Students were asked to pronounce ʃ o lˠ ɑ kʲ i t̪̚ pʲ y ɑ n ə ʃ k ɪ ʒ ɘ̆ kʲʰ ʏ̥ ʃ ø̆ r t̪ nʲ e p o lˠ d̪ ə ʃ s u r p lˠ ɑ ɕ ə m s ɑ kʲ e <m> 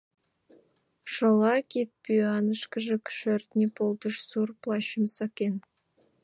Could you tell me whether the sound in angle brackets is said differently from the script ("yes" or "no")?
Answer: yes